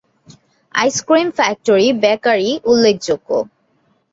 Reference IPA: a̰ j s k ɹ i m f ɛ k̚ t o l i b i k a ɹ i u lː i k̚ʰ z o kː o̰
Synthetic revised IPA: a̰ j s k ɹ i m f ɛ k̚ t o ɹ i b ɛ k a ɹ i u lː e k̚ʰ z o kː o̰